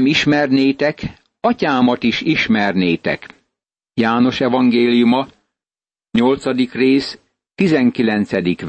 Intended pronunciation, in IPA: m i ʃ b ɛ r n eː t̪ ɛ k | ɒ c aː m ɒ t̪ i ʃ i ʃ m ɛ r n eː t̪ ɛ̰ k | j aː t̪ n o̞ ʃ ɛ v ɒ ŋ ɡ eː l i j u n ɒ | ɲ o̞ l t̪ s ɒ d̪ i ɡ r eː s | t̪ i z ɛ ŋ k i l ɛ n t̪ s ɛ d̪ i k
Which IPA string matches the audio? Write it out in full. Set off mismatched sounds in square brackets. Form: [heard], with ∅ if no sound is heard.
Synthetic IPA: m i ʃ [m] ɛ r n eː t̪ ɛ k | ɒ c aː m ɒ t̪ i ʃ i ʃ m ɛ r n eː t̪ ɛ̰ k | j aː [∅] n o̞ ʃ ɛ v ɒ ŋ ɡ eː l i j u [m] ɒ | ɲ o̞ l t̪ s ɒ d̪ i [k] r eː s | t̪ i z ɛ ŋ k i l ɛ n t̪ s ɛ d̪ i k